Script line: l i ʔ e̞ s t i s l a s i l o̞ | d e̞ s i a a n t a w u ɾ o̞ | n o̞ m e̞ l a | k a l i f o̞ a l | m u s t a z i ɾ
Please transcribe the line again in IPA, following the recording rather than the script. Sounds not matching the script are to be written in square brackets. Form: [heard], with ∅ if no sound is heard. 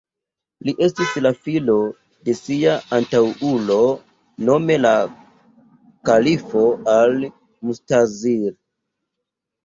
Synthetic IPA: l i ʔ e̞ s t i s l a [f] i l o̞ | d e̞ s i a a n t a w u [l] o̞ | n o̞ m e̞ l a | k a l i f o̞ a l | m u s t a z i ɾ